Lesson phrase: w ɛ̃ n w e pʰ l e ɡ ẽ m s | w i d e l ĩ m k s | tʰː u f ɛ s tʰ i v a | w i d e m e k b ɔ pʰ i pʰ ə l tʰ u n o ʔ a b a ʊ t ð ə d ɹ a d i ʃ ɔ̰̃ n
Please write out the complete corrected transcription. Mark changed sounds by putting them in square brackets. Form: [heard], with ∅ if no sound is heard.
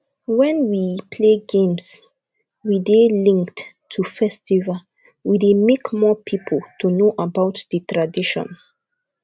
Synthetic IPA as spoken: w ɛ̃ n w [i] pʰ l e ɡ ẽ m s | w i d e l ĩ [ŋ] k [t] | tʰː u f ɛ s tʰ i v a | w i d e m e k [m] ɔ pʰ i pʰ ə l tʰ u n o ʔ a b a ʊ t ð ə [t] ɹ a d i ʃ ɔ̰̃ n